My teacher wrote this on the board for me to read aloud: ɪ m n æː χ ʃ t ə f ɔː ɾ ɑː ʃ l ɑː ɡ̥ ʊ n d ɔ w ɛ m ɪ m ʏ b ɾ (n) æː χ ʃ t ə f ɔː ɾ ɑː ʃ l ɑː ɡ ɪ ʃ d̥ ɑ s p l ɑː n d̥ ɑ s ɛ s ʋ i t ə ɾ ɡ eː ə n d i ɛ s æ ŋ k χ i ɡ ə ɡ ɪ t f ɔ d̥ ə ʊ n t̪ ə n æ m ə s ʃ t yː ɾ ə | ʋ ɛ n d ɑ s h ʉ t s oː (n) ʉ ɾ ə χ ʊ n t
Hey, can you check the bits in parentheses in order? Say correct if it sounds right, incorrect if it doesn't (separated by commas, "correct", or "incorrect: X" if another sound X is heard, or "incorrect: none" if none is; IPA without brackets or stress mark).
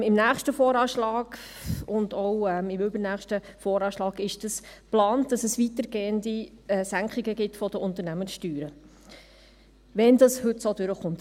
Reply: correct, incorrect: d